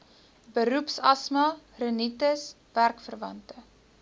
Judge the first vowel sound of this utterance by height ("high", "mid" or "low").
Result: mid